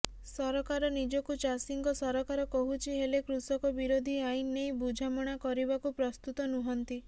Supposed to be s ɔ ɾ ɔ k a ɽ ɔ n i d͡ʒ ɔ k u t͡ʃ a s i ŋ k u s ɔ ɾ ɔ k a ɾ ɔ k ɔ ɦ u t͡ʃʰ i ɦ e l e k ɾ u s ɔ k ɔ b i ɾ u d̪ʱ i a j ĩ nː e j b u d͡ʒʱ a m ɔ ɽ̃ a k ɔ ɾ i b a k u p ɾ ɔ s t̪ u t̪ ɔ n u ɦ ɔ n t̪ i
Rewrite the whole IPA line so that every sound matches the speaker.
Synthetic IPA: s ɔ ɾ ɔ k a ɾ ɔ n i d͡ʒ ɔ k u t͡ʃ a s i ŋ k ɔ s ɔ ɾ ɔ k a ɾ ɔ k ɔ ɦ u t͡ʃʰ i ɦ e l e k ɾ u s ɔ k ɔ b i ɾ o d̪ʱ i a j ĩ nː e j b u d͡ʒʱ a m ɔ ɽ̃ a k ɔ ɾ i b a k u p ɾ ɔ s t̪ u t̪ ɔ n u ɦ ɔ n t̪ i